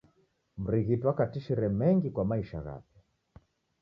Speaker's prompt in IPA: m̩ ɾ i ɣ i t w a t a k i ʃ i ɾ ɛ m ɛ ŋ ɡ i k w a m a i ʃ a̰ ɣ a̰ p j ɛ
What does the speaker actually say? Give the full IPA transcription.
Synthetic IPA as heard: m̩ ɾ i ɣ i t w a k a t i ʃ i ɾ ɛ m ɛ ŋ ɡ i k w a m a i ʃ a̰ ɣ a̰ p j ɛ